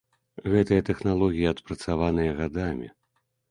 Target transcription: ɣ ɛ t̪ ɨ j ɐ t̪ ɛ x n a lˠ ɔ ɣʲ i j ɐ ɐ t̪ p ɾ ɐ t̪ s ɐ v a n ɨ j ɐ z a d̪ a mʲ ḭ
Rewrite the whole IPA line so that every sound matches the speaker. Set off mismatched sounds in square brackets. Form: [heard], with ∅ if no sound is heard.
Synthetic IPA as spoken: ɣ ɛ t̪ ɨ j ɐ t̪ ɛ x n a lˠ ɔ ɣʲ i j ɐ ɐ t̪ p ɾ ɐ t̪ s [a] v a n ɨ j ɐ [ɣ] a d̪ a mʲ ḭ